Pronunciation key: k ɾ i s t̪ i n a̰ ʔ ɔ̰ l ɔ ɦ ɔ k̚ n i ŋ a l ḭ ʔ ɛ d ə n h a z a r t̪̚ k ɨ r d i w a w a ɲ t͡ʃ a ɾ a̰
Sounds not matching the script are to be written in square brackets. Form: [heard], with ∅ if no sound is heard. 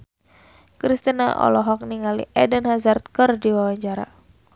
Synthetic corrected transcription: k ɾ i s t̪ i n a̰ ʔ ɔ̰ l ɔ ɦ ɔ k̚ n i ŋ a l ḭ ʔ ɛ d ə n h a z a r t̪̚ k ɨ r d i w a w a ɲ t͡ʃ a ɾ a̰

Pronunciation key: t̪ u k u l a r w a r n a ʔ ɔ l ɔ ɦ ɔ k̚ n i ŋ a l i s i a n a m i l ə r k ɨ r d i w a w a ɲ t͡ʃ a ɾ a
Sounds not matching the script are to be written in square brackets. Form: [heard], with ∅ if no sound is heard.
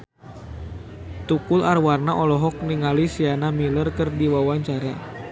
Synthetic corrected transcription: t̪ u k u l a r w a r n a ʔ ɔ l ɔ ɦ ɔ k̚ n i ŋ a l i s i a n a m i l ə r k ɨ r d i w a w a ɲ t͡ʃ a ɾ a

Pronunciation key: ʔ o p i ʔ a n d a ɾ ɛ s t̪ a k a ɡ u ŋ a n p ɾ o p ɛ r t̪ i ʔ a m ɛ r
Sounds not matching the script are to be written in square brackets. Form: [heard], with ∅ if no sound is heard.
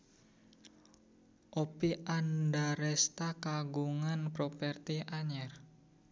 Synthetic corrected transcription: ʔ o p i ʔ a n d a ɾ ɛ s t̪ a k a ɡ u ŋ a n p ɾ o p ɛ r t̪ i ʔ a [ɲ] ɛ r

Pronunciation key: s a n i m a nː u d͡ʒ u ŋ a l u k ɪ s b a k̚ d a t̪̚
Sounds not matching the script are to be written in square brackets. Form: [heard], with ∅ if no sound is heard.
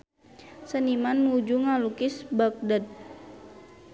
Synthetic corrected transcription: s [ə] n i m a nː u d͡ʒ u ŋ a l u k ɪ s b a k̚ d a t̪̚

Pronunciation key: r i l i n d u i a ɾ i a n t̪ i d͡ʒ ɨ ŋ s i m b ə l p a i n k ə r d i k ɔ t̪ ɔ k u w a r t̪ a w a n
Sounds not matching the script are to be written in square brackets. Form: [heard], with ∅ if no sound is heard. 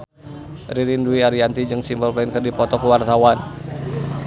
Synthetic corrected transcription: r i [ɾ] i n d u i a ɾ i a n t̪ i d͡ʒ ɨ ŋ s i m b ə l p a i n k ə r d i [p] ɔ t̪ ɔ k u w a r t̪ a w a n

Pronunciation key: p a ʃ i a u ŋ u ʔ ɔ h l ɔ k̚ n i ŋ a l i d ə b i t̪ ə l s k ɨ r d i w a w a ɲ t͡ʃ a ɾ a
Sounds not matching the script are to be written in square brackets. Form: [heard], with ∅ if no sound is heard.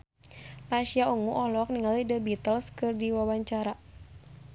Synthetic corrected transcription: p a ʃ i a u ŋ u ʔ ɔ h l ɔ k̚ n i ŋ a l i d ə b i t̪ ə l s k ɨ r d i w a w a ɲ t͡ʃ a ɾ a

